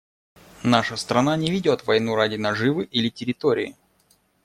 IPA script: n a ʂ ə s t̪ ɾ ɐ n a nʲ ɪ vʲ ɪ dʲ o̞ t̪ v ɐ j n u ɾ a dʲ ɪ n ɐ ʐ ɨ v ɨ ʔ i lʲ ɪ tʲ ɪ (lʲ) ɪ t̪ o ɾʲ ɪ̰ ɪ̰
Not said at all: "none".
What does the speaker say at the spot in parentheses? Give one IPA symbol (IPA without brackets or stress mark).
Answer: ɾʲ